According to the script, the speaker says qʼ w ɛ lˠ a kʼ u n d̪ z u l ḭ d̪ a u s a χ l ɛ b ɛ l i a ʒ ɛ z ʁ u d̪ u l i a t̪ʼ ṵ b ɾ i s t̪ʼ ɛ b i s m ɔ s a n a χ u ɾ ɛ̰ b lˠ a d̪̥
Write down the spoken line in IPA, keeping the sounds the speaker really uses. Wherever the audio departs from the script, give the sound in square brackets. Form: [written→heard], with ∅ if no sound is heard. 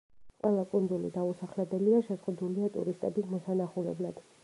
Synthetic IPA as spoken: qʼ w ɛ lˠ a kʼ u n d̪ z u l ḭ d̪ a u s a χ l ɛ b ɛ l i a [ʒ→ʃ] ɛ z ʁ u d̪ u l i a t̪ʼ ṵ [b→∅] ɾ i s t̪ʼ ɛ b i s m ɔ s a n a χ u [ɾ→l] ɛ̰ b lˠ a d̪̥